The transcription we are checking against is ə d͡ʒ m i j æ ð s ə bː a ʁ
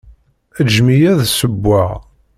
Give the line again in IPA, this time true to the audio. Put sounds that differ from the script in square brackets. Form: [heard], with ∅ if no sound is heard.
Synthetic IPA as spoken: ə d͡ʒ m i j æ ð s ə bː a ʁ